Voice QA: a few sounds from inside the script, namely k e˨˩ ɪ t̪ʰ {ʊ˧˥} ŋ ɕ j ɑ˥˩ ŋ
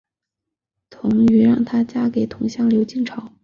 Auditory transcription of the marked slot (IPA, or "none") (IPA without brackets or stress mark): ʊ˧˥